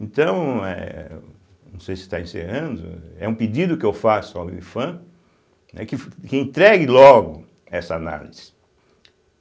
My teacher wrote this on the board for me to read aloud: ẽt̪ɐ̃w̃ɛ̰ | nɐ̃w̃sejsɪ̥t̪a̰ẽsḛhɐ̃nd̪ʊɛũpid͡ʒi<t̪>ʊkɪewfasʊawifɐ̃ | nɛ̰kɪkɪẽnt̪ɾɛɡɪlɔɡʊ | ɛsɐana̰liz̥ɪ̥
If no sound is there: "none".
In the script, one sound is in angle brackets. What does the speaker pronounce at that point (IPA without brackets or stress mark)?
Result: d̪